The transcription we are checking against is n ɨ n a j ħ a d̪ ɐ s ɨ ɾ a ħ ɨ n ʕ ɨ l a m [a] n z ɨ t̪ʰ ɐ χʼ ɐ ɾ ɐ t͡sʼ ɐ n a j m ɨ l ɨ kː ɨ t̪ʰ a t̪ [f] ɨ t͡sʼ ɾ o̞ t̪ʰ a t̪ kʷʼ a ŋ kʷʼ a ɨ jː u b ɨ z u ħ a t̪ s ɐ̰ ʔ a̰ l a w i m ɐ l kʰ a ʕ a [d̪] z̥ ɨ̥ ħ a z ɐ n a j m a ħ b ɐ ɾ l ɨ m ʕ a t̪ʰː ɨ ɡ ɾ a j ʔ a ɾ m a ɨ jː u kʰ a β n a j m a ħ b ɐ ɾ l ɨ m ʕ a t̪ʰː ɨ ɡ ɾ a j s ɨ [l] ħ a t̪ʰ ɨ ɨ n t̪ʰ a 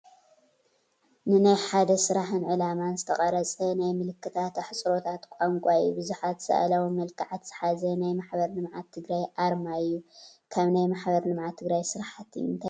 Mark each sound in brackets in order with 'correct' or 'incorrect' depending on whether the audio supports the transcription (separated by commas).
correct, incorrect, incorrect, incorrect